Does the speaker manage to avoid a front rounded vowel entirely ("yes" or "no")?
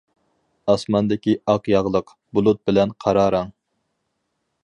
yes